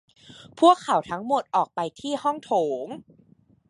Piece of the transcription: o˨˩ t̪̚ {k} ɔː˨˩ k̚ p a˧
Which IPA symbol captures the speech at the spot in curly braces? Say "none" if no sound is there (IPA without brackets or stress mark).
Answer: ʔ